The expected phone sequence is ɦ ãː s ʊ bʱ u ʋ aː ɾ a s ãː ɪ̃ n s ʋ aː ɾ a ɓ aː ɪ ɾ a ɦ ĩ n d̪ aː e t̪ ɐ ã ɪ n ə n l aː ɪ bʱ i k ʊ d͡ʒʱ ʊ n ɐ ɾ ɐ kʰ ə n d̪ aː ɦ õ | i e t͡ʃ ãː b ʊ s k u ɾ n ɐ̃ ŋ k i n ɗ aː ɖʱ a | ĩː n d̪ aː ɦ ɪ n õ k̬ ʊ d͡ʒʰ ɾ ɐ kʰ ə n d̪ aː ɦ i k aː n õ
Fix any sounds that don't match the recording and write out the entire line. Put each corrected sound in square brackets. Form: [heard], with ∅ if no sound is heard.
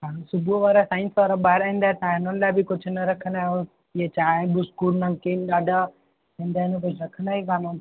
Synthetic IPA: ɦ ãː s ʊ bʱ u ʋ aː ɾ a s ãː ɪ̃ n s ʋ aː ɾ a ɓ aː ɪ ɾ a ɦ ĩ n d̪ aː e t̪ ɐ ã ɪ n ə n l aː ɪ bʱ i k ʊ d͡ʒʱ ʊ n ɐ ɾ ɐ kʰ ə n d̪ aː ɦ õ | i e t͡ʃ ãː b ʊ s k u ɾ n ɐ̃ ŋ k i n ɗ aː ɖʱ a | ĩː n d̪ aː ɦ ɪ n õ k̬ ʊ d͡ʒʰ ɾ ɐ kʰ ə n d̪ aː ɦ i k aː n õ